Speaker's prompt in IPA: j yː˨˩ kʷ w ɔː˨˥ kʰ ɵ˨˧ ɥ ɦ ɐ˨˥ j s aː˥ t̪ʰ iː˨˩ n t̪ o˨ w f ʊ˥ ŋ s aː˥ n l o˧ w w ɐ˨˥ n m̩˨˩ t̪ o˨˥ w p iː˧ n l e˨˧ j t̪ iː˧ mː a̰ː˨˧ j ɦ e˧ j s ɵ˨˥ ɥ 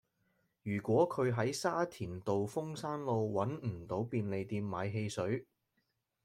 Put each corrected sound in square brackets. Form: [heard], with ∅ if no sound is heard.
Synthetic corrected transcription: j yː˨˩ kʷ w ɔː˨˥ kʰ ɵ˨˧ ɥ ɦ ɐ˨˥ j s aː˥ t̪ʰ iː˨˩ n t̪ o˨ w f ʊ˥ ŋ s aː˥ n l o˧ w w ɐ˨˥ n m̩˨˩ t̪ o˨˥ w p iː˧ n l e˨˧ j t̪ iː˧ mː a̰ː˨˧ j ɦ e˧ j s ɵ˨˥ ɥ